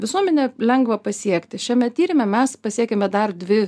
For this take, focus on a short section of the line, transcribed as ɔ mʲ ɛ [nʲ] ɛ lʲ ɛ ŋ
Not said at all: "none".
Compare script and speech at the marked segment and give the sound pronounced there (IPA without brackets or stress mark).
nʲ